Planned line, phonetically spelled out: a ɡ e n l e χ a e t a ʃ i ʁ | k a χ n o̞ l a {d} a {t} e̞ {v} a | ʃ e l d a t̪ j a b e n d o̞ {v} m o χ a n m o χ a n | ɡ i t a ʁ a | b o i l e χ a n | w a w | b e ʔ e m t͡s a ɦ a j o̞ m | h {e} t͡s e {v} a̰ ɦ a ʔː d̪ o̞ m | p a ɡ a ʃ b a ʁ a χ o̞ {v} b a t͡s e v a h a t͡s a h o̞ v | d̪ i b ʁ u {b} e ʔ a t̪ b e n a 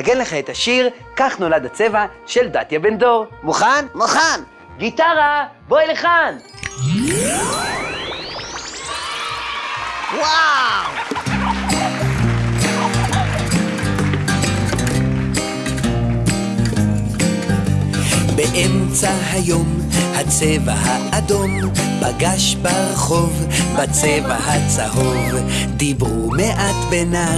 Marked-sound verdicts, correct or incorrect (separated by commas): correct, incorrect, correct, incorrect, incorrect, correct, correct, incorrect